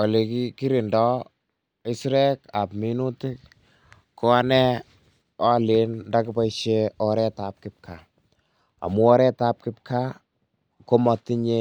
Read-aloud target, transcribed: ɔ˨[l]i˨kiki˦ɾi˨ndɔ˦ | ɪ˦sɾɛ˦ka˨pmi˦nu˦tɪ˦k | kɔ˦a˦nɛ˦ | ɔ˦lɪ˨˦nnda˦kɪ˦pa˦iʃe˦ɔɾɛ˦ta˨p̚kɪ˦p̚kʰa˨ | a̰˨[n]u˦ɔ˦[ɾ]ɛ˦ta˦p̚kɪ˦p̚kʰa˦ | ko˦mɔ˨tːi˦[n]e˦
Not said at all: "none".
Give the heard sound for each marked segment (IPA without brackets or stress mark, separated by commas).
l, m, ɾ, ɲ